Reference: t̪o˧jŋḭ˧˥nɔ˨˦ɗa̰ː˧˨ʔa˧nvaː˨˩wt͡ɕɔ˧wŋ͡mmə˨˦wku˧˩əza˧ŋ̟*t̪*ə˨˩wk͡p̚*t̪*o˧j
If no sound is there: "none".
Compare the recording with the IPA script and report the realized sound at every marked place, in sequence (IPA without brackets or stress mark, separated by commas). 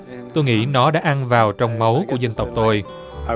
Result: t̪, t̪